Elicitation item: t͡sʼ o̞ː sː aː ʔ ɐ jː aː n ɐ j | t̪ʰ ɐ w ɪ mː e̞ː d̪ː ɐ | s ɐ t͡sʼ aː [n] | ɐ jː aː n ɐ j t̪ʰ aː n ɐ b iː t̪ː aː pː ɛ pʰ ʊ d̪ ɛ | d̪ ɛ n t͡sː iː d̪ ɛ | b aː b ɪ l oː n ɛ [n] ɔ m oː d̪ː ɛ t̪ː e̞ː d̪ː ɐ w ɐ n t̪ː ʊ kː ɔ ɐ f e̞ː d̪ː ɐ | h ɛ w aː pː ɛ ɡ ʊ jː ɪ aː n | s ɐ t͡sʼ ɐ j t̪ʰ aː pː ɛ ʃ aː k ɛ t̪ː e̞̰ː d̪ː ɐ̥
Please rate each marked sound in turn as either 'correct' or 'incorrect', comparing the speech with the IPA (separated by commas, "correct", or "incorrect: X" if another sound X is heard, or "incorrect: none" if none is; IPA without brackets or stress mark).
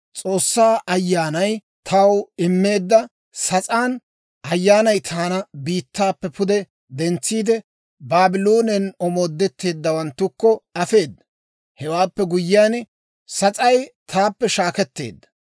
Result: correct, correct